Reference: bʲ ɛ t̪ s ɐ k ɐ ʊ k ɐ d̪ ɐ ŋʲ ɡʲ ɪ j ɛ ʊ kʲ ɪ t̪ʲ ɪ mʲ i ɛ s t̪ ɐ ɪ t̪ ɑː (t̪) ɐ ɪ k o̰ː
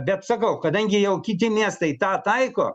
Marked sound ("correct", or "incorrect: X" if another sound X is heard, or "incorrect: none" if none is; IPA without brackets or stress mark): correct